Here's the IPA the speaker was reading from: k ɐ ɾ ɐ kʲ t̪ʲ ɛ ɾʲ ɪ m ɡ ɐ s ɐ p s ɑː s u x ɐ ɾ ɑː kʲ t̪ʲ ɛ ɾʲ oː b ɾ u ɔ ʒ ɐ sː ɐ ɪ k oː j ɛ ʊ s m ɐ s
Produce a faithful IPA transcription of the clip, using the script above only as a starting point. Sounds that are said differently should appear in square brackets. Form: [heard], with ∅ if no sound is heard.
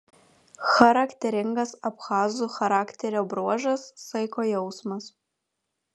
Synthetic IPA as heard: [x] ɐ ɾ ɐ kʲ t̪ʲ ɛ ɾʲ ɪ [ŋ] ɡ ɐ s ɐ p [x] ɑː [z] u x ɐ ɾ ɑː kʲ t̪ʲ ɛ ɾʲ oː b ɾ u ɔ ʒ ɐ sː ɐ ɪ k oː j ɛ ʊ s m ɐ s